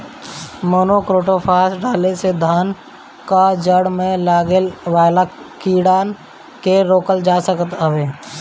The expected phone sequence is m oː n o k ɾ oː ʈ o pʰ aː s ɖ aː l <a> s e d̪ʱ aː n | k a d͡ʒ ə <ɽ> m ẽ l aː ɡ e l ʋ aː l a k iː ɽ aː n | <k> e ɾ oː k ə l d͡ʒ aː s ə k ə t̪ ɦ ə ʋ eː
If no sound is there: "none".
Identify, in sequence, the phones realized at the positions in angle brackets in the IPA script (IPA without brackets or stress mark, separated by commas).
e, ɽ, k